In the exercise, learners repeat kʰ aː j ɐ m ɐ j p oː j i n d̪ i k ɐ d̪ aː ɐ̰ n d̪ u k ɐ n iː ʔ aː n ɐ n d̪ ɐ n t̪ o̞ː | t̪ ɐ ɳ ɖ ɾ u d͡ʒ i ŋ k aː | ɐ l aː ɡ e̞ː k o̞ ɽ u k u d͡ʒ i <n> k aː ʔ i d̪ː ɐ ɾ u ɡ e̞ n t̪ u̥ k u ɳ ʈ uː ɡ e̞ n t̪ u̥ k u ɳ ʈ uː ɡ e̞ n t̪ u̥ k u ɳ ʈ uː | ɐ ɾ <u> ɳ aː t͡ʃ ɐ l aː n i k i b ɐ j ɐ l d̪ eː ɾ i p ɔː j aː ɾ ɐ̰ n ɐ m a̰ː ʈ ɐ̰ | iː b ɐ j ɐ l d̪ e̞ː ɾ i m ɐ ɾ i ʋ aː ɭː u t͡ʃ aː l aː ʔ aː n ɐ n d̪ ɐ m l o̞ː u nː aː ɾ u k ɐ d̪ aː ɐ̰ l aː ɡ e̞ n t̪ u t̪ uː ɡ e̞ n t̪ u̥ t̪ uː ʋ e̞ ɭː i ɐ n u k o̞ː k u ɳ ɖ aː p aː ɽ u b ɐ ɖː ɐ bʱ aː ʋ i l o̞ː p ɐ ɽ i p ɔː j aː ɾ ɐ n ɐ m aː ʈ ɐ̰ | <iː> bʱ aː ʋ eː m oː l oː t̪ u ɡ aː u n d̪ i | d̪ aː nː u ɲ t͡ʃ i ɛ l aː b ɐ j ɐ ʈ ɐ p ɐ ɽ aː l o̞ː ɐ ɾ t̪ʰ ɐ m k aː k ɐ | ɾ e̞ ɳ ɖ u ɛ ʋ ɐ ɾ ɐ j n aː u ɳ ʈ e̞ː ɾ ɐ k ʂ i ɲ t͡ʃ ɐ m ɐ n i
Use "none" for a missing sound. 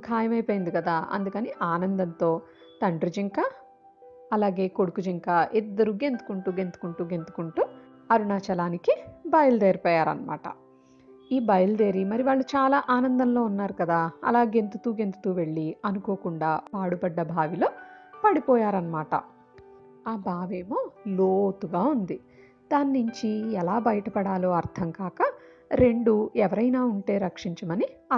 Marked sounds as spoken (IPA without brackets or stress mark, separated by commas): ŋ, u, aː